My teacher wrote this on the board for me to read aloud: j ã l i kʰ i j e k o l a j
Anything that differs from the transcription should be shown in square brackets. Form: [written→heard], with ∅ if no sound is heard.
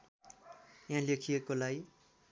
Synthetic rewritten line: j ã l [i→e] kʰ i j e k o l a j